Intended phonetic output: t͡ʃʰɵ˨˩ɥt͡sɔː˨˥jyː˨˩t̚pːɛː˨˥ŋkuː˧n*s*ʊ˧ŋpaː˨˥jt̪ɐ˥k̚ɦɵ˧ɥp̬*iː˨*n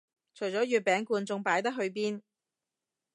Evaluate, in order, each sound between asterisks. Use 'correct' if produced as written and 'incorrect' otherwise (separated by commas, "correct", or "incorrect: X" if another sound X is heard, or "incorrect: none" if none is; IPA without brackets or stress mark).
incorrect: t͡s, incorrect: iː˥